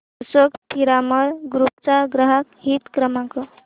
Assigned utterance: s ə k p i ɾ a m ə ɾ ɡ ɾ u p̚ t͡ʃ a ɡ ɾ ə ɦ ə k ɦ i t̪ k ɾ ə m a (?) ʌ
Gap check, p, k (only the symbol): k